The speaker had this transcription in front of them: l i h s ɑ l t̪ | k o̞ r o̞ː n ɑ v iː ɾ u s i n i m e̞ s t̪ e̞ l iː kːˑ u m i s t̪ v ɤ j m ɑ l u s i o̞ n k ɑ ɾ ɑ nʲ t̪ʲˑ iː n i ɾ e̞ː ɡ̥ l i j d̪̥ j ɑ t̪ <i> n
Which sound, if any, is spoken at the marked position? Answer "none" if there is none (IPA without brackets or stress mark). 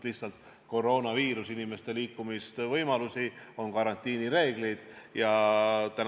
æ